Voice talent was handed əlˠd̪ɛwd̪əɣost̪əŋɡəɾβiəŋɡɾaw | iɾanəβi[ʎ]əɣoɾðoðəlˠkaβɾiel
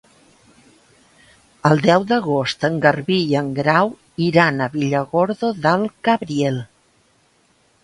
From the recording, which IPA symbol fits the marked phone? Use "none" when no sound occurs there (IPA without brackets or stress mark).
ʎ